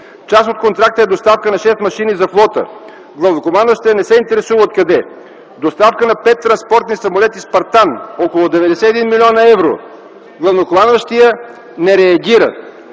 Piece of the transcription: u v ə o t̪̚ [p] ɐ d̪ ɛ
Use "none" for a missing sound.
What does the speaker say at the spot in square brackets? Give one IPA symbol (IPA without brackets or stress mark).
k